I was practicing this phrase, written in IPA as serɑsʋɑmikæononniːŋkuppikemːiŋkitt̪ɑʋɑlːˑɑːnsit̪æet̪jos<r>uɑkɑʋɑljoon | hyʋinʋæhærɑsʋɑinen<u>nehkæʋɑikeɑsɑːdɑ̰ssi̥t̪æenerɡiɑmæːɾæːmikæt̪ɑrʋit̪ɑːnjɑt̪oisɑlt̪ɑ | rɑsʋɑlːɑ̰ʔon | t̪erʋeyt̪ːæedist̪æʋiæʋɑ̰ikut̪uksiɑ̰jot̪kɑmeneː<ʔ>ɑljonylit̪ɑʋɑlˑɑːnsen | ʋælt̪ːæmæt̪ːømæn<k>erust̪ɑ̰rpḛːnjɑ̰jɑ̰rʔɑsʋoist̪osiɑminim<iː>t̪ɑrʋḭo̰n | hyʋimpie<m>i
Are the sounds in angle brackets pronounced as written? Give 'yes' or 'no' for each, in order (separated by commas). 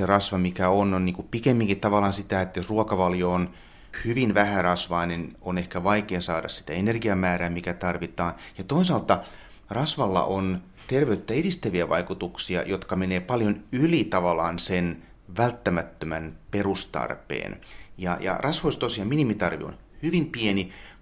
yes, no, no, no, no, no